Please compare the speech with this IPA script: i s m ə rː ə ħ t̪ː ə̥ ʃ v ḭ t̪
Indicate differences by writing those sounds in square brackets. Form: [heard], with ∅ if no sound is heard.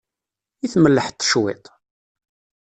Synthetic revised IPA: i [θ] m ə [lː] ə ħ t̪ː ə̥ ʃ [w] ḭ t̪